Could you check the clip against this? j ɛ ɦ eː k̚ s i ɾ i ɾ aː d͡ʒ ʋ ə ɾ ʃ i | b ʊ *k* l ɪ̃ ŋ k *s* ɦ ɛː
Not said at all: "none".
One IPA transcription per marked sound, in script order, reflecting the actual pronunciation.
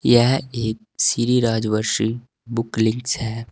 k, s

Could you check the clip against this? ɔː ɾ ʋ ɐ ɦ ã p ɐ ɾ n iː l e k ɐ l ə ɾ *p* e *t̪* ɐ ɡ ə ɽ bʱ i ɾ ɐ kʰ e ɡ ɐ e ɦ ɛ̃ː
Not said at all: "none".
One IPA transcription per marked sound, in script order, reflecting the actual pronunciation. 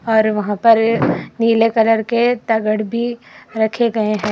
k, t̪

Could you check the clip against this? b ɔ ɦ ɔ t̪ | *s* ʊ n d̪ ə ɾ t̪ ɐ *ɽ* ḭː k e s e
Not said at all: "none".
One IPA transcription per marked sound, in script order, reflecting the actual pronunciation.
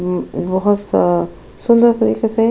s, ɾ

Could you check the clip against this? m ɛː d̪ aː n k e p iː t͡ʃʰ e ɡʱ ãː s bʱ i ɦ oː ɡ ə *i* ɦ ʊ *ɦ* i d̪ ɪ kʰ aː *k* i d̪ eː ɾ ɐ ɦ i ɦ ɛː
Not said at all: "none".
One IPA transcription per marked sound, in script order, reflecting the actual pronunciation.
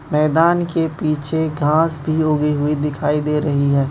i, none, none

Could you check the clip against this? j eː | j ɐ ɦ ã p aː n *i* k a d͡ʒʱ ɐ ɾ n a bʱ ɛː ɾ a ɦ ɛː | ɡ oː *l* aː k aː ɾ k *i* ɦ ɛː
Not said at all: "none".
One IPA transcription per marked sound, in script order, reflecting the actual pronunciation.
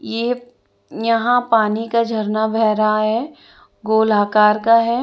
i, l, a

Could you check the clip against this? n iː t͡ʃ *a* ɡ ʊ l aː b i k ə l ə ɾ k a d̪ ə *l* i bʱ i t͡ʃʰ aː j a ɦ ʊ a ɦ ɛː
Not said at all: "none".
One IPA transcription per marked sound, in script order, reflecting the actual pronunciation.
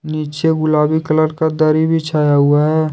e, ɾ

